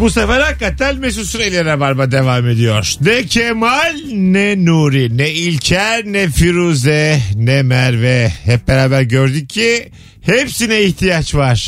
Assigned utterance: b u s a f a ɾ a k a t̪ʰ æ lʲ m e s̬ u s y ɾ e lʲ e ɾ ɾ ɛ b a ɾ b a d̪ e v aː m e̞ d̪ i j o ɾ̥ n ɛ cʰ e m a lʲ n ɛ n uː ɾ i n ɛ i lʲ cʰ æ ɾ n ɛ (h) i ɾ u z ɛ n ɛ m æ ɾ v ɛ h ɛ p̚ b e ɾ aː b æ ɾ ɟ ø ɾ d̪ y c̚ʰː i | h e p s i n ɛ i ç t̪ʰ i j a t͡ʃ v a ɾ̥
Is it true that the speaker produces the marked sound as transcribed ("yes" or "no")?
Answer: no